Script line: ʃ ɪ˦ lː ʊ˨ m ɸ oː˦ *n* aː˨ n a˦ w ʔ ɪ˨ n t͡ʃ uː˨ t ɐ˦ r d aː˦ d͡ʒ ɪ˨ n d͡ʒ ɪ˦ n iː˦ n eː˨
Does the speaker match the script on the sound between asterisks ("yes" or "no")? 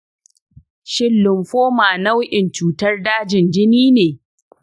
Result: no